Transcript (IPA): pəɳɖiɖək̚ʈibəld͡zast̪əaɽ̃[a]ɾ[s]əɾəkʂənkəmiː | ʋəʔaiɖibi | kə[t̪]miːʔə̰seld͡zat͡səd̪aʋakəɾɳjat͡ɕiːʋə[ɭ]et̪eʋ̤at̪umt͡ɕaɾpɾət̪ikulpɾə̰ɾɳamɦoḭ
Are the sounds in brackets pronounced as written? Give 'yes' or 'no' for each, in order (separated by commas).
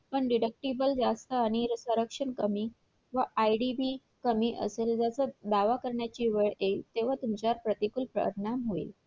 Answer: no, yes, no, yes